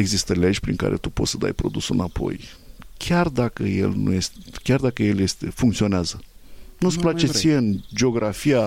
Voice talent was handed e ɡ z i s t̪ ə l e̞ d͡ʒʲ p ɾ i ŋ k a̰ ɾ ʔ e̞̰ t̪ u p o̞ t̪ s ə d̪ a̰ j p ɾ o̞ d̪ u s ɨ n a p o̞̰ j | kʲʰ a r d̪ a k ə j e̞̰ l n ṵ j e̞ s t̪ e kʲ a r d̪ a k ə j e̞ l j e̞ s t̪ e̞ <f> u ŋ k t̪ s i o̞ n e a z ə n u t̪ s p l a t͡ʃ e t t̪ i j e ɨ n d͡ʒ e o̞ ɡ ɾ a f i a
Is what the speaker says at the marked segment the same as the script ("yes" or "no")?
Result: yes